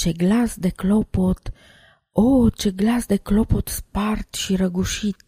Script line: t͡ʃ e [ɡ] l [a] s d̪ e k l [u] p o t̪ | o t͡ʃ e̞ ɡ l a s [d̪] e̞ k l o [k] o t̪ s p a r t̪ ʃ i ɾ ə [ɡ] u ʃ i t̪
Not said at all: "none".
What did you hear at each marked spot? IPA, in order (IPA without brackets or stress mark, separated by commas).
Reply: ɡ, a, o, d̪, p, ɡ